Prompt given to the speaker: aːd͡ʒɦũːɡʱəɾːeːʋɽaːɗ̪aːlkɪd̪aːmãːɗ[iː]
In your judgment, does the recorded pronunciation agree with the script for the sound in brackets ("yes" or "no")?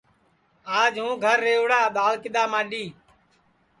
yes